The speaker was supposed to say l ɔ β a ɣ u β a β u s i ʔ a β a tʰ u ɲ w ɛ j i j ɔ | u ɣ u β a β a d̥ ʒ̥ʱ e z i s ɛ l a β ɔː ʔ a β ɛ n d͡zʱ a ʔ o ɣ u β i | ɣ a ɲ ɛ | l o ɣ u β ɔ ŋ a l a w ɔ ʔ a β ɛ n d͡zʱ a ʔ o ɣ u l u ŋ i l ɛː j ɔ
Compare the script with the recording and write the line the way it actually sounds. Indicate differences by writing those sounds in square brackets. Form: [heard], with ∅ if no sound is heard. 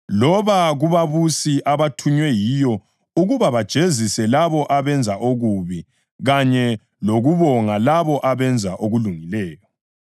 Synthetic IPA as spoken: l ɔ β a ɣ u β a β u s i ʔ a β a tʰ u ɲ w ɛ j i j ɔ | u ɣ u β a β a d̥ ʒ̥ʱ e z i s ɛ l a β [ɔ] ʔ a β ɛ n d͡zʱ a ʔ o ɣ u β i | ɣ a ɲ ɛ | l o ɣ u β ɔ ŋ a l a [β] ɔ ʔ a β ɛ n d͡zʱ a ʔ o ɣ u l u ŋ i l ɛː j ɔ